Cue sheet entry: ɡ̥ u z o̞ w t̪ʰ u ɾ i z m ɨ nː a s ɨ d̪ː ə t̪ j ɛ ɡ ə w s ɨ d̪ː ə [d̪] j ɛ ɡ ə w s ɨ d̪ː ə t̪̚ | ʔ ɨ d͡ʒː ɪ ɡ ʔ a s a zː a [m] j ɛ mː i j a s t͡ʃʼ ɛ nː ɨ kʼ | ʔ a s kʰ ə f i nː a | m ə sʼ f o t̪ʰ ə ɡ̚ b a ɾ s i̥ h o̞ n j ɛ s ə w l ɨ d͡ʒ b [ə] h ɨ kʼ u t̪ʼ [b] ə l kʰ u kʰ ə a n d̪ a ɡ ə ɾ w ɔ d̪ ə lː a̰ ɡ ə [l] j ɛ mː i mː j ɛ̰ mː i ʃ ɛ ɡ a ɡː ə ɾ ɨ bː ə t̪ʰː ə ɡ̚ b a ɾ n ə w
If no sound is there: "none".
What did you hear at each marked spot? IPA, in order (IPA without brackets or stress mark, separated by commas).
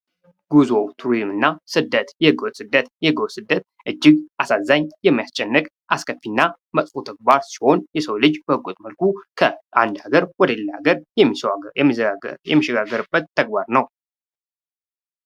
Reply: t̪, ɲ, ə, m, ɾ